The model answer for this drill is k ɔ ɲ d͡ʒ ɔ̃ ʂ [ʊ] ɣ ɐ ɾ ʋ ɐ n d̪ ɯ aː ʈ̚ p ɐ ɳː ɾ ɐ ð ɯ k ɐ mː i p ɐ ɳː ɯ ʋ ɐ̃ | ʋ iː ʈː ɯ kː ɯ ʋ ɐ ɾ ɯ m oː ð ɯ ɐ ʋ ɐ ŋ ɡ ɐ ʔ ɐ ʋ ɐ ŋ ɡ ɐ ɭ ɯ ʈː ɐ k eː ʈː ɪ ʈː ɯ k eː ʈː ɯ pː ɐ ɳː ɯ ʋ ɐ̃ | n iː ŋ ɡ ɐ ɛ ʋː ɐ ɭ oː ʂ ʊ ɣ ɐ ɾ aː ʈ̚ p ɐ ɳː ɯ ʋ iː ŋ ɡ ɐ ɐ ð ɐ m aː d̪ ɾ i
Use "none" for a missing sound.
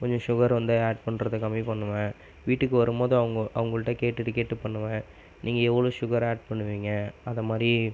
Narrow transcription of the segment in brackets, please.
ʊ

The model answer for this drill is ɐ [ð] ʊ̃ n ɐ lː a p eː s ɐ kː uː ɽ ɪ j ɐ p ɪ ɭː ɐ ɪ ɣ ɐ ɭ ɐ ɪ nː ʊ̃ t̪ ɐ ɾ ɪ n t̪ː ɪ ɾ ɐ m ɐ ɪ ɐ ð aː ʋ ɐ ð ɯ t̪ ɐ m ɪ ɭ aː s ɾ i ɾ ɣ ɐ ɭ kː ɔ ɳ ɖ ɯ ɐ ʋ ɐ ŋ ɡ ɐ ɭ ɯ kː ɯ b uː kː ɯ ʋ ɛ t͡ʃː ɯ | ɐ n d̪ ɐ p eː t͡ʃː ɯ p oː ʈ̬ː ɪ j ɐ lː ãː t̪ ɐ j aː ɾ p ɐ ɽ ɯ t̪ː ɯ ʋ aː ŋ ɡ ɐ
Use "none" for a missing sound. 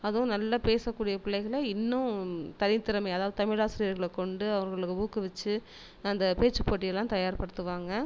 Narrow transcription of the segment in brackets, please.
ð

